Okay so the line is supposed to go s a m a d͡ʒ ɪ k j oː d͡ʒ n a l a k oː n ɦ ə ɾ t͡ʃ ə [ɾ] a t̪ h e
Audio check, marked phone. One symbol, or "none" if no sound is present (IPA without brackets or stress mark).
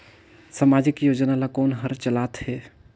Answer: l